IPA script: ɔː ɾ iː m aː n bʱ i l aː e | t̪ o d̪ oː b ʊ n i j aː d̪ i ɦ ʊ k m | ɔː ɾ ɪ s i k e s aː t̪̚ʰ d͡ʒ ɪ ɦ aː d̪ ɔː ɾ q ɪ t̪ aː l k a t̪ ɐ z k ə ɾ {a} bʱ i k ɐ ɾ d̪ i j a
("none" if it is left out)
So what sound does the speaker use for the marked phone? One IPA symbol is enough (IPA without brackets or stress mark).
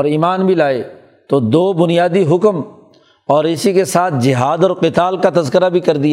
a